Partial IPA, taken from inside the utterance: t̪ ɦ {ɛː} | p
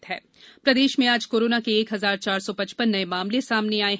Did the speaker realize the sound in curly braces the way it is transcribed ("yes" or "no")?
yes